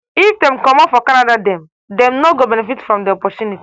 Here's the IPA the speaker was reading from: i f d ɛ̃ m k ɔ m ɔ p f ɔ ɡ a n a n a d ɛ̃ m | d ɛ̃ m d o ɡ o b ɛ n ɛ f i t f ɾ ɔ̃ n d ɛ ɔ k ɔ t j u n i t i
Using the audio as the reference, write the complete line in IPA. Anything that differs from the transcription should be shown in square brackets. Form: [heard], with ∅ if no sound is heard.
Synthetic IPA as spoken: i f d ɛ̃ m k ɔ m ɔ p f ɔ [k] a n a [d] a d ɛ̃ m | d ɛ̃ m [n] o ɡ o b ɛ n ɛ f i t f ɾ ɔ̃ [m] d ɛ ɔ [p] ɔ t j u n i t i